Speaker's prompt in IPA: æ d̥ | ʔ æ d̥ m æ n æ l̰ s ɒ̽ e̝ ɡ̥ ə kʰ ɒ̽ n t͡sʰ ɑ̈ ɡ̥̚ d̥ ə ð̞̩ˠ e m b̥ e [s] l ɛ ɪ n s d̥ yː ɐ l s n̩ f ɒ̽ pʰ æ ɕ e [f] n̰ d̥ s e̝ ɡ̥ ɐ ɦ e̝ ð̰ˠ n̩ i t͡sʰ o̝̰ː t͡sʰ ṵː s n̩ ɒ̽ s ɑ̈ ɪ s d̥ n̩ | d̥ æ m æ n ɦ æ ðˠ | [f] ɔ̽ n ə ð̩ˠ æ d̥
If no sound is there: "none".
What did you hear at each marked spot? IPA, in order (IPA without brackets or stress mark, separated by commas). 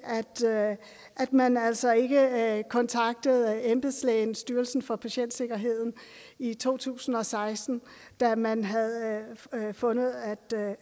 s, none, f